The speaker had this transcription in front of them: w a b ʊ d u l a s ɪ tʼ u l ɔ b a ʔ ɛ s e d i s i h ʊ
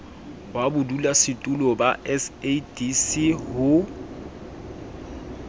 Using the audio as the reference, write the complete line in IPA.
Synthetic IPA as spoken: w a b ʊ d u l a s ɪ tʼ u l ɔ b a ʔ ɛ s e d i s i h ʊ